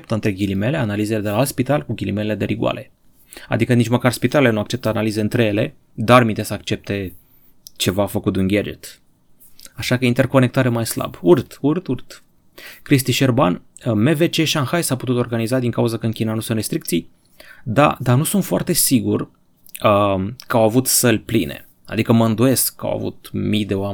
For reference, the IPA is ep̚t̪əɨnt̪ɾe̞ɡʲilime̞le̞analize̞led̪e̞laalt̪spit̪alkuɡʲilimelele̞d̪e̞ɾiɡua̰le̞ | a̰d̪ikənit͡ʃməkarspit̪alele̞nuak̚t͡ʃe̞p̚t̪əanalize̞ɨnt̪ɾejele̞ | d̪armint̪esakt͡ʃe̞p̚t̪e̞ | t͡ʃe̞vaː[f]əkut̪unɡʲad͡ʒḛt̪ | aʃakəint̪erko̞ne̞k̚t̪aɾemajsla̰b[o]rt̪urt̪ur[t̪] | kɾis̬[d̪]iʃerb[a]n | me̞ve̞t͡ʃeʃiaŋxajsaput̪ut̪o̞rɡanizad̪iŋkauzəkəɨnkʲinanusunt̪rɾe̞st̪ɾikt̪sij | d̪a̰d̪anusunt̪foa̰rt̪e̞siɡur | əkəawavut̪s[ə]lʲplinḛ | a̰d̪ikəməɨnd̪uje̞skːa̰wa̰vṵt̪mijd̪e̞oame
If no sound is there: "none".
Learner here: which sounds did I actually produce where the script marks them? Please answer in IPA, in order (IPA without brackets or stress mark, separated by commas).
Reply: f, u, t̪, t̪, a, ə